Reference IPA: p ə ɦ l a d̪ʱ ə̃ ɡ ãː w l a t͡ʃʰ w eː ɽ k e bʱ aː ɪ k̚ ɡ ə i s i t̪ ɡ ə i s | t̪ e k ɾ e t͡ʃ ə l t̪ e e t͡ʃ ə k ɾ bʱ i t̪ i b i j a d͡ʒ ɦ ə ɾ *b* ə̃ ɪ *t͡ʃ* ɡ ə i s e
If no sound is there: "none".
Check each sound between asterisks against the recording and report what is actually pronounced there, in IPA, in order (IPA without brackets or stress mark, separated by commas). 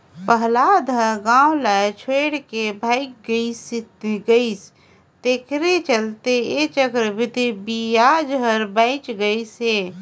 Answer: b, t͡ʃ